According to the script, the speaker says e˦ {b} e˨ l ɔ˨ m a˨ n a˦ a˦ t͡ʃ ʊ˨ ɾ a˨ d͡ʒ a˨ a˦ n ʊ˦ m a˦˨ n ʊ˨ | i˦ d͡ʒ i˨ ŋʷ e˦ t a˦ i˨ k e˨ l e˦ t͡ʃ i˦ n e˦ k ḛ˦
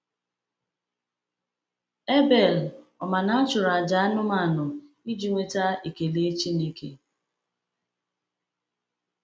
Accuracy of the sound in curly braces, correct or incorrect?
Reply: correct